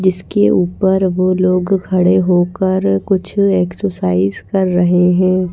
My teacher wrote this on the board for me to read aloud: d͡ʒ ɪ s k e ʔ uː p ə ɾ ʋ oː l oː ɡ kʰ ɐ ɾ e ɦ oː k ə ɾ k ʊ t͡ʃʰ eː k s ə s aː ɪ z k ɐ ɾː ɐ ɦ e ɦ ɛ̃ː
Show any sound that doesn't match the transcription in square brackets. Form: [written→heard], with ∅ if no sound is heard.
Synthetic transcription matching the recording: d͡ʒ ɪ s k e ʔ uː p ə ɾ ʋ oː l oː ɡ kʰ ɐ [ɾ→ɽ] e ɦ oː k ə ɾ k ʊ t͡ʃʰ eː k s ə s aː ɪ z k ɐ ɾː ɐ ɦ e ɦ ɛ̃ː